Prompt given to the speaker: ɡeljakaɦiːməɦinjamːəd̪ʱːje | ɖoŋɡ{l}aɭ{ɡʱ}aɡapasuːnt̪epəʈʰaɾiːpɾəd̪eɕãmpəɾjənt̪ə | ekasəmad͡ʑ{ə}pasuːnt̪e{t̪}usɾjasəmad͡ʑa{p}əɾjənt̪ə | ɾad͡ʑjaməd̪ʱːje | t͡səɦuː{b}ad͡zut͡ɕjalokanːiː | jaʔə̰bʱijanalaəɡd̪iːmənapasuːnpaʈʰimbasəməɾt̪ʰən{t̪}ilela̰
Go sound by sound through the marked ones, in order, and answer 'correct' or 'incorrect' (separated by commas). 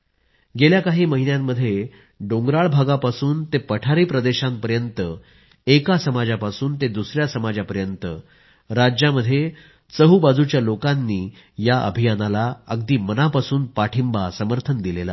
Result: incorrect, incorrect, incorrect, incorrect, correct, correct, incorrect